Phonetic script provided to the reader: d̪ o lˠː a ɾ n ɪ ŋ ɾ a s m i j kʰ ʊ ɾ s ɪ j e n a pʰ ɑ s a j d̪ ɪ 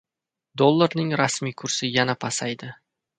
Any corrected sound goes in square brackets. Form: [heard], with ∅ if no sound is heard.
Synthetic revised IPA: d̪ o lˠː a ɾ n ɪ ŋ ɾ a s m i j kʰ ʊ ɾ s ɪ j [a] n a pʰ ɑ s a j d̪ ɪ